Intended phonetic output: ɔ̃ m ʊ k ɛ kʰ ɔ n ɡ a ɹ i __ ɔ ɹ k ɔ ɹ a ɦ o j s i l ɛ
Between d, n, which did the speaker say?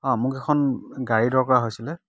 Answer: d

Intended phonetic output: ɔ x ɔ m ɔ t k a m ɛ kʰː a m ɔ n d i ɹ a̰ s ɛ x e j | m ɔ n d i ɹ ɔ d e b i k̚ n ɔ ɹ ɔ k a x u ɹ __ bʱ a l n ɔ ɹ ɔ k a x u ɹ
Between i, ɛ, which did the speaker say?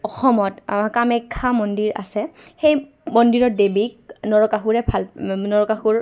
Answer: ɛ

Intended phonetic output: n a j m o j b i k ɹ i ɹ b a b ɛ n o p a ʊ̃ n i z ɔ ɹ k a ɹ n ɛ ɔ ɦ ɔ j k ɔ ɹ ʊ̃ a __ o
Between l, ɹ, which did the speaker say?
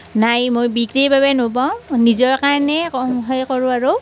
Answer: ɹ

